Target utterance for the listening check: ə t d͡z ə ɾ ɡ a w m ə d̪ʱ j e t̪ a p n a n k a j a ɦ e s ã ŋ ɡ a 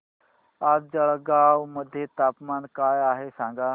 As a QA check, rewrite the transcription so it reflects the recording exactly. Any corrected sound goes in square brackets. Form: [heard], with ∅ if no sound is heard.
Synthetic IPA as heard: [a] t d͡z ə [ɭ] ɡ a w m ə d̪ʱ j e t̪ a p [m] a n k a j a ɦ e s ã ŋ ɡ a